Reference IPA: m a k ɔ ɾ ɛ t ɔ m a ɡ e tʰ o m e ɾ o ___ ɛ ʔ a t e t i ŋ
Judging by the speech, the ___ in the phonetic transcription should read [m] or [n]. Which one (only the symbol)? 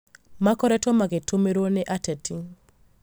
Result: n